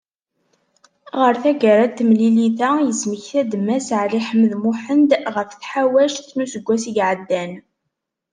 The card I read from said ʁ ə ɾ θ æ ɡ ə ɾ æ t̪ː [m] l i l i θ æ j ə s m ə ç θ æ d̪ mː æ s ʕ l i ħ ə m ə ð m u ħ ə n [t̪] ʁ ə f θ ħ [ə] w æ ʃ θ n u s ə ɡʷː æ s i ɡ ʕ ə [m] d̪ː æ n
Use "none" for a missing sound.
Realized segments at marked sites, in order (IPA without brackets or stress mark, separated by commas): m, d̪, a, none